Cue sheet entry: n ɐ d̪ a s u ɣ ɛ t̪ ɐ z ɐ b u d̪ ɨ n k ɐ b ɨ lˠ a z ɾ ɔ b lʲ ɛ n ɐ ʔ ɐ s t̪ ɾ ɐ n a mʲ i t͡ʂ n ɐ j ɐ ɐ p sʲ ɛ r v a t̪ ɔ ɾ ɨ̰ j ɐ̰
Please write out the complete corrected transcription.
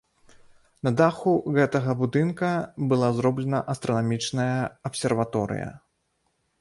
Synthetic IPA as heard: n ɐ d̪ a x u ɣ ɛ t̪ ɐ ɣ ɐ b u d̪ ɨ n k ɐ b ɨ lˠ a z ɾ ɔ b lʲ ɛ n ɐ ʔ ɐ s t̪ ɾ ɐ n a mʲ i t͡ʂ n ɐ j ɐ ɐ p sʲ ɛ r v a t̪ ɔ ɾ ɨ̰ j ɐ̰